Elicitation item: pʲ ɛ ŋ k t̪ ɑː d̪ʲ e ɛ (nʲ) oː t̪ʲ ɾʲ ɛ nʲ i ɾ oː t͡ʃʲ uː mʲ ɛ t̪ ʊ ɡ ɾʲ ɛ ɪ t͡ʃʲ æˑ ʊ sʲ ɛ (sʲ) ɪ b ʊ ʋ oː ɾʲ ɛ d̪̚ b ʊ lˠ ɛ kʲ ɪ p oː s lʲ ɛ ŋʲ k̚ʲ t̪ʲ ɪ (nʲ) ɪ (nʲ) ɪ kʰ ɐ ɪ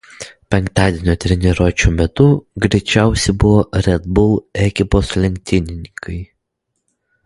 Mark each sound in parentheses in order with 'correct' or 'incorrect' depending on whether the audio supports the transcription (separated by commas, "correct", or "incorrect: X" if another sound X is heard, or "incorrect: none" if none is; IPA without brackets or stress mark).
correct, incorrect: none, correct, correct